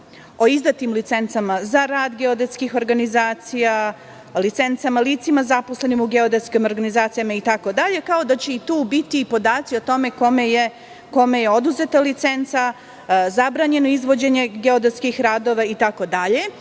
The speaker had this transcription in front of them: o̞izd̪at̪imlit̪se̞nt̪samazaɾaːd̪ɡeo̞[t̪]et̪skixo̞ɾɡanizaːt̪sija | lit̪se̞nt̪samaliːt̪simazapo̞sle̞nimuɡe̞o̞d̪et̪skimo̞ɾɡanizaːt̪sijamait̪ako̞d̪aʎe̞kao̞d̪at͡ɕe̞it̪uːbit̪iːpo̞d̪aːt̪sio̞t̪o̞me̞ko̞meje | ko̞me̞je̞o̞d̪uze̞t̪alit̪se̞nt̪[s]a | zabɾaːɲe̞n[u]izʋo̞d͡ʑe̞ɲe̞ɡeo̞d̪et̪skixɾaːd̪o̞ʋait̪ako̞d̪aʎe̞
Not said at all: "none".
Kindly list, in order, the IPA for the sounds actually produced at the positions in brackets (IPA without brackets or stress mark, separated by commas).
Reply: d̪, s, o